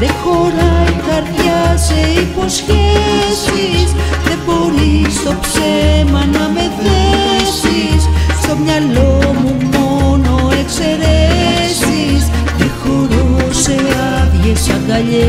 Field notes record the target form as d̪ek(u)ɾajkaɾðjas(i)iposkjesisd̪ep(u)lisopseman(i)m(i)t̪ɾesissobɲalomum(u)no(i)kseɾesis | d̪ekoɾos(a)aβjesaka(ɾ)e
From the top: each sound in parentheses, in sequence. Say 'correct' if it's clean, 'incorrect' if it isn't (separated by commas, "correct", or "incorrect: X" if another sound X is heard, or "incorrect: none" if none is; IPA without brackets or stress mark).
incorrect: o, incorrect: e, incorrect: o, incorrect: a, incorrect: e, incorrect: o, incorrect: e, incorrect: e, incorrect: ʎ